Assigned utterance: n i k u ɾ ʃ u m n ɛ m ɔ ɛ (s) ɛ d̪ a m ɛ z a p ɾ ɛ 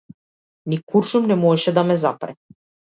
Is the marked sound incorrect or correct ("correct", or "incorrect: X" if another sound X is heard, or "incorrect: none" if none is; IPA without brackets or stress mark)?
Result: incorrect: ʃ